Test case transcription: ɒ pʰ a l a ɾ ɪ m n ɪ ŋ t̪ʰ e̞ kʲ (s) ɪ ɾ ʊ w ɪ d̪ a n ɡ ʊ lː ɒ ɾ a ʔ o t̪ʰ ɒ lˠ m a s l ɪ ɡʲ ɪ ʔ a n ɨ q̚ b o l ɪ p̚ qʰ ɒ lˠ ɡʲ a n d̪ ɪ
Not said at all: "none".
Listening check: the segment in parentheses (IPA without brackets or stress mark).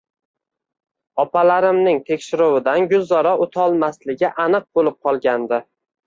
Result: ʃ